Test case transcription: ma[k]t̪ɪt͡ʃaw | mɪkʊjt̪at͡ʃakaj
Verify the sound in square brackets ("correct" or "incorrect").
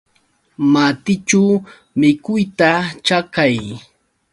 incorrect